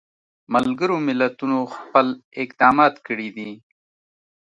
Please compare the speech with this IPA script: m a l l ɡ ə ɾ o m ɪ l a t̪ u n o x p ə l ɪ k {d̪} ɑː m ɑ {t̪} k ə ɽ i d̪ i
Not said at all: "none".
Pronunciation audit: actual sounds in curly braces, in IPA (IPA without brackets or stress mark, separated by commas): d̪, t̪